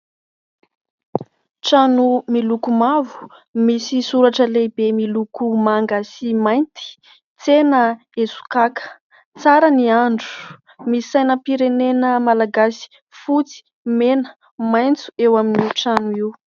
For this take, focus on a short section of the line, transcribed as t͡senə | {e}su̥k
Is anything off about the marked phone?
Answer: no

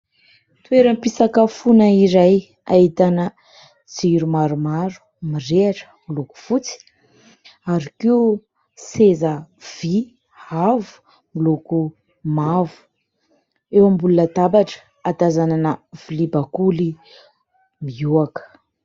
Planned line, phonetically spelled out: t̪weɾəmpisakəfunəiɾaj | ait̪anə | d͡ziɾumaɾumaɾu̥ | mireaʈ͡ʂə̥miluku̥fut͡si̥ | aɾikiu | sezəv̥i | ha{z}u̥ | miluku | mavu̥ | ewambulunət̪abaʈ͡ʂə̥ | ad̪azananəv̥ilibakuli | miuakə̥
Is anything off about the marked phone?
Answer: yes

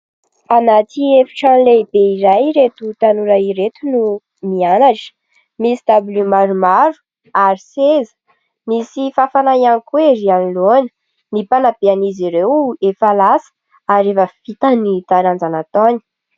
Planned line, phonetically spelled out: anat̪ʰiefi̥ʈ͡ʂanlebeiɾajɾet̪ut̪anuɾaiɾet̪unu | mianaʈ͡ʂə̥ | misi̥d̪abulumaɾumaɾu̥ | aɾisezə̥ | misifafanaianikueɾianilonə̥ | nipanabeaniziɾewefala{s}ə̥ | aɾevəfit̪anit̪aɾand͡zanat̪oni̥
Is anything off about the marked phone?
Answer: no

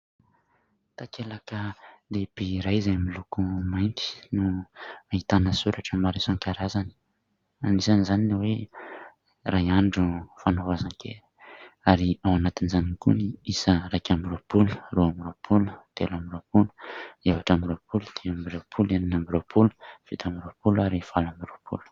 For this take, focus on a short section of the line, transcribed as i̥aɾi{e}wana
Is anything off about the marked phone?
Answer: yes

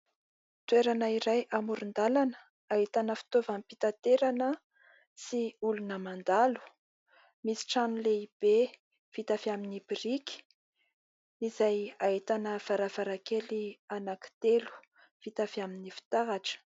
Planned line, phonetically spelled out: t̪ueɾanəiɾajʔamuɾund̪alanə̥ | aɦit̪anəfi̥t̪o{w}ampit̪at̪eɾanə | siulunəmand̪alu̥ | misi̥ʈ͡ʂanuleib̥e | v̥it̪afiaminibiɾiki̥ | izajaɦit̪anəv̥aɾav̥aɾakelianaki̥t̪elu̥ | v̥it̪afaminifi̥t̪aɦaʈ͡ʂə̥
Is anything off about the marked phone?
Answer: yes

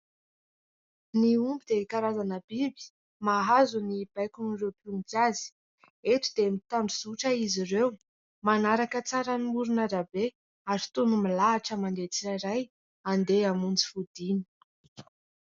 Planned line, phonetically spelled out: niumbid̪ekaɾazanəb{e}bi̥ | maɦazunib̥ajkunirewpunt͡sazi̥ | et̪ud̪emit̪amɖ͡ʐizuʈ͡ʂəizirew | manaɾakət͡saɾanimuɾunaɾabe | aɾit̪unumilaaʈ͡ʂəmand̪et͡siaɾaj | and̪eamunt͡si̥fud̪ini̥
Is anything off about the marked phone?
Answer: yes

